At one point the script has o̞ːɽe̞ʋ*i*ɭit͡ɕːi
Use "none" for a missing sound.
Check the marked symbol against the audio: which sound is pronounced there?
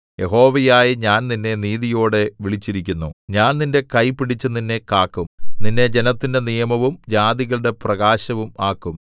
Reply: i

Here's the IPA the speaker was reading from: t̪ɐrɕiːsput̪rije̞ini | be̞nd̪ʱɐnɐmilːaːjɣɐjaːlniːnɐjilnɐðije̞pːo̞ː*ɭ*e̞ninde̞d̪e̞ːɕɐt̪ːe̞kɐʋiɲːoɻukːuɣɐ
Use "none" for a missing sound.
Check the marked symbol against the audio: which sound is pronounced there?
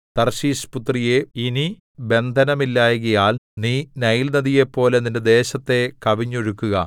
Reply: l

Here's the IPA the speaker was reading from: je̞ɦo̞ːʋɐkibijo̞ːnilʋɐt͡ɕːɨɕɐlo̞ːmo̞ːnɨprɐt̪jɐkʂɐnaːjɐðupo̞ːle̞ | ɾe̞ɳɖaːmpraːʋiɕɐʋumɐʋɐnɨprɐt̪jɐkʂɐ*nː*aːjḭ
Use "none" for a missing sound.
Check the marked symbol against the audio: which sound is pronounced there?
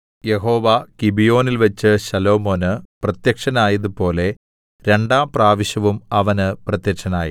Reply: n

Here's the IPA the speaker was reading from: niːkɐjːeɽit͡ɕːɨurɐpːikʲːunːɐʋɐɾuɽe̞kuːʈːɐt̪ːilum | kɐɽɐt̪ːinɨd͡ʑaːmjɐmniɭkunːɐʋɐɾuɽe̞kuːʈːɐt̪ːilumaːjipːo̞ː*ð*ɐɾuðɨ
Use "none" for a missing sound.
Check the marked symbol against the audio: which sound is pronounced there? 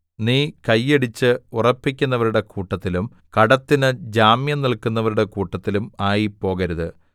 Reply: ɣ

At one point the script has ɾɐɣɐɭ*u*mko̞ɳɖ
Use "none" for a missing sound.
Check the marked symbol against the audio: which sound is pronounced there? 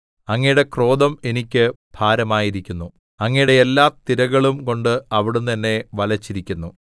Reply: u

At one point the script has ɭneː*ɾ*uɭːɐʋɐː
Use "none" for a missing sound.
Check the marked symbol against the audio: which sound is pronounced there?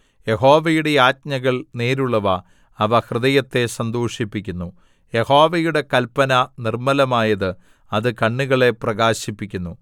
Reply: ɾ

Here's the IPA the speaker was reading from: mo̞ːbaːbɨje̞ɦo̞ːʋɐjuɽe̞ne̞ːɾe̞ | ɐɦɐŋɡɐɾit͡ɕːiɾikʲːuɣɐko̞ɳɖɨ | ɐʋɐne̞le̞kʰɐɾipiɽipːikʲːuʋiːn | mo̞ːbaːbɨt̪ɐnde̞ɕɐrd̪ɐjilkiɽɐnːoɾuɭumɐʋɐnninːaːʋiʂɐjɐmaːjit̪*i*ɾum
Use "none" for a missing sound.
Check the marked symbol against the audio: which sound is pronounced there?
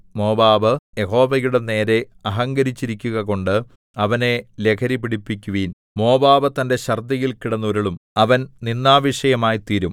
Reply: iː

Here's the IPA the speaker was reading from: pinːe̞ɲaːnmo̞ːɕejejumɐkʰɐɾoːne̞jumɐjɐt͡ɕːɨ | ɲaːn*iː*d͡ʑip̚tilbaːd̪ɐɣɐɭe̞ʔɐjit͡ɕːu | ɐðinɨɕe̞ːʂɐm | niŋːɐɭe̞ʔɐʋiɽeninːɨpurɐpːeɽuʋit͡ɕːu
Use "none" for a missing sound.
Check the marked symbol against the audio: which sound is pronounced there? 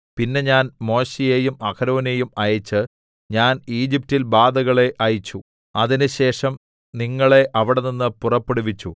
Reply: iː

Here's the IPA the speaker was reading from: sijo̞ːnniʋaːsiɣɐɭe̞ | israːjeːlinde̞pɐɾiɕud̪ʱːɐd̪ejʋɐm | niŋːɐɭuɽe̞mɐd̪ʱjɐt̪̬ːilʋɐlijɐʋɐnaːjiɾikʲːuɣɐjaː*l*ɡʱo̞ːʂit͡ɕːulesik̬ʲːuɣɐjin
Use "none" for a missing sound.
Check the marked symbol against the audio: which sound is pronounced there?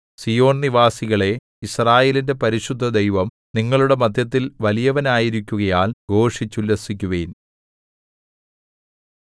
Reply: l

